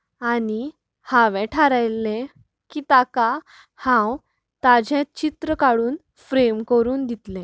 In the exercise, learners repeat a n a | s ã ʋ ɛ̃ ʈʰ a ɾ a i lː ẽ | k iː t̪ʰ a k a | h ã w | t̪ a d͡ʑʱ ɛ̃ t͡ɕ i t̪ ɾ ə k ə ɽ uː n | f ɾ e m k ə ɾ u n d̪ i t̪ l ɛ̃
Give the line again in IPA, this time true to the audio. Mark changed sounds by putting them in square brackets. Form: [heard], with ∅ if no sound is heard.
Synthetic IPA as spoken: a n [i] | [h] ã ʋ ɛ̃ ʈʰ a ɾ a [j] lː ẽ | k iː [t̪] a k a | h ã w | t̪ a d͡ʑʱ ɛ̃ t͡ɕ i t̪ ɾ ə k [a] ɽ uː n | f ɾ e m k ə ɾ [uː] n d̪ i t̪ l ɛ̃

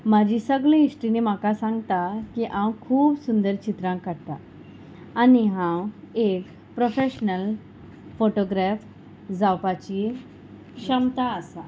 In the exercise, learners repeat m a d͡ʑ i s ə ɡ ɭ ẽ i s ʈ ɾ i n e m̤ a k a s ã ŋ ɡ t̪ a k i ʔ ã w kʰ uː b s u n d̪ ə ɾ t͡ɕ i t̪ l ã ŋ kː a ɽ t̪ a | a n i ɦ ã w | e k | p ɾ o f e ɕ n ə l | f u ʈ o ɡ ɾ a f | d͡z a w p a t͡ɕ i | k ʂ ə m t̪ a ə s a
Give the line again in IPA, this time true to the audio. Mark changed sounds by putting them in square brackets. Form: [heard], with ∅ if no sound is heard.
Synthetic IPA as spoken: m a d͡ʑ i s ə ɡ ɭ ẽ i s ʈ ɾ i n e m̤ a k a s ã ŋ ɡ t̪ a k i ʔ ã w kʰ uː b s u n d̪ ə ɾ t͡ɕ i t̪ [ɾ] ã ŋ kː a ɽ t̪ a | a n i ɦ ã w | e k | p ɾ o f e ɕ n ə l | f [o] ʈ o ɡ ɾ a f | d͡z a w p a t͡ɕ i | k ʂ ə m t̪ a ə s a

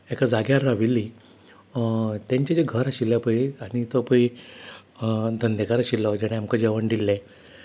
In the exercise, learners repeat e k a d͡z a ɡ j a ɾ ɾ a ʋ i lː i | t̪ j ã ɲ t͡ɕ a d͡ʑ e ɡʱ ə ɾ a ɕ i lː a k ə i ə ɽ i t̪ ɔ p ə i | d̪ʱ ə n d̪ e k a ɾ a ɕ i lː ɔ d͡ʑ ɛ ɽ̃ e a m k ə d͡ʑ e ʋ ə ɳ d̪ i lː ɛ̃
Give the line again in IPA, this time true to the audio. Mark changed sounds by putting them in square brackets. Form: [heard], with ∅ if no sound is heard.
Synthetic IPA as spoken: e k a d͡z a ɡ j a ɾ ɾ a ʋ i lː i | t̪ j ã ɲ t͡ɕ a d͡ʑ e ɡʱ ə ɾ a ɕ i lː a [p] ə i [a] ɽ i t̪ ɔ p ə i | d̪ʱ ə n d̪ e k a ɾ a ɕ i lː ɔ d͡ʑ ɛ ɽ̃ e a m k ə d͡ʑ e ʋ ə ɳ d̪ i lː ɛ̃

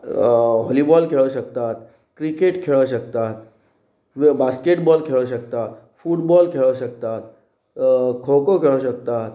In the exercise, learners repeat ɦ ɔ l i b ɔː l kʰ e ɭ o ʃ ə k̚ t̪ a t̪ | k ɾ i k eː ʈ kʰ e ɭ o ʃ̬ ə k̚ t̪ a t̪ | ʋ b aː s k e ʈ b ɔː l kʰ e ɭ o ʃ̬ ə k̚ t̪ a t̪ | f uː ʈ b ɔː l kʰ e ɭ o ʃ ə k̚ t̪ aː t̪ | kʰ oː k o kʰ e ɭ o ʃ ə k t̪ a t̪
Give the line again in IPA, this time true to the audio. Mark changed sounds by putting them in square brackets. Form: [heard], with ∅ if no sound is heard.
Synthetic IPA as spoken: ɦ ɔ l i b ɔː l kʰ e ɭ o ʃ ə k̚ t̪ a t̪ | k ɾ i k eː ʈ kʰ e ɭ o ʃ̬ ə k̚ t̪ a t̪ | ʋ b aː s k e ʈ b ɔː l kʰ e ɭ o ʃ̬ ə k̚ t̪ a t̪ | f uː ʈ b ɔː l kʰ e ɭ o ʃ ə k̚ t̪ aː t̪ | kʰ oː k o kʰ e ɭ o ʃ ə k t̪ a t̪

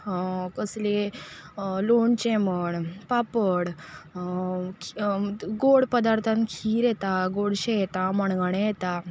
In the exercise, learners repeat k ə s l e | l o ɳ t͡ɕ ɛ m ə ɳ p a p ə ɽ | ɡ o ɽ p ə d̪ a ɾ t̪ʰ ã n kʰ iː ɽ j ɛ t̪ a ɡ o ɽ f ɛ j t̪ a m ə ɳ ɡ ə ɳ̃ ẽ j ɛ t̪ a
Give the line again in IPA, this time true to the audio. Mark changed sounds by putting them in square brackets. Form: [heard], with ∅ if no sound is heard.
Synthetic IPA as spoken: k ə s l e | l o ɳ t͡ɕ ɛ m ə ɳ p a p ə ɽ | ɡ o ɽ p ə d̪ a ɾ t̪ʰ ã n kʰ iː [ɾ] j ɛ t̪ a ɡ o ɽ [ɕ] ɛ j t̪ a m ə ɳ ɡ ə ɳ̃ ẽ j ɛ t̪ a

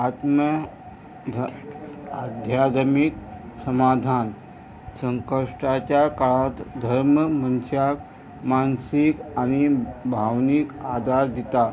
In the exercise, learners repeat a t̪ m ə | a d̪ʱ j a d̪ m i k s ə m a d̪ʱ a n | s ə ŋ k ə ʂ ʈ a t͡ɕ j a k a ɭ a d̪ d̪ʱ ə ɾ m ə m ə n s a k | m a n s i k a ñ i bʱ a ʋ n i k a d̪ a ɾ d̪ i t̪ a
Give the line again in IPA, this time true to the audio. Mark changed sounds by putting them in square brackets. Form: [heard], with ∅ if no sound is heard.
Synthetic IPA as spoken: a t̪ m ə | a d̪ʱ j a d̪ m i k s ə m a d̪ʱ a n | s ə ŋ k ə ʂ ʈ a t͡ɕ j a k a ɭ a [t̪] d̪ʱ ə ɾ m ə m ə n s a k | m a n s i k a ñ i bʱ a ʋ n i k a d̪ a ɾ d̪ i t̪ a

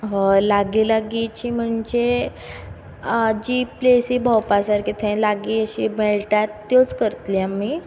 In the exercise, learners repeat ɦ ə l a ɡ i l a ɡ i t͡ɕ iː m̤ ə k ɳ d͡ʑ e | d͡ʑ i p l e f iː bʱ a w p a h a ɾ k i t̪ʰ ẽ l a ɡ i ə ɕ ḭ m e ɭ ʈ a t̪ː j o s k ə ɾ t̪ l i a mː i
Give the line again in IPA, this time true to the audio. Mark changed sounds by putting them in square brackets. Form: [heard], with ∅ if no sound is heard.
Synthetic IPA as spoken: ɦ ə l a ɡ i l a ɡ i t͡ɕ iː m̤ ə [∅] ɳ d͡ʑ e | d͡ʑ i p l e [s] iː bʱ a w p a [s] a ɾ k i t̪ʰ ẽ l a ɡ i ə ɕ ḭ m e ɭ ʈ a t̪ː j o [t͡s] k ə ɾ t̪ l i a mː i

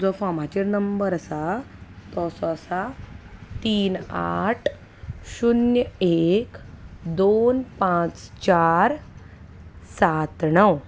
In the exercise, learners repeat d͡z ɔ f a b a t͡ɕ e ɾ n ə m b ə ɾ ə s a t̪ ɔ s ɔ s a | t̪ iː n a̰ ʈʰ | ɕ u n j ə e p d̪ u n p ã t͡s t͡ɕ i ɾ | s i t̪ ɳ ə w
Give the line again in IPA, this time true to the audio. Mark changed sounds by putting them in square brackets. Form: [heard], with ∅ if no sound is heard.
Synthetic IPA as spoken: d͡z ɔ f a [m] a t͡ɕ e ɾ n ə m b ə ɾ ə s a t̪ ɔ s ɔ s a | t̪ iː n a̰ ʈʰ | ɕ u n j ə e [k] d̪ [o] n p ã t͡s t͡ɕ [a] ɾ | s [a] t̪ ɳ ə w

